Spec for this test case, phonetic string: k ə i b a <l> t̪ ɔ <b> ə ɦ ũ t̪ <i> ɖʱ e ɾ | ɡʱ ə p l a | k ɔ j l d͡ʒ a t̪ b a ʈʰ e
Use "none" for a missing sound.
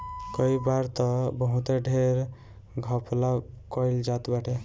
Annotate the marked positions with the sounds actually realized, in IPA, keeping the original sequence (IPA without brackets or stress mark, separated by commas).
ɾ, b, e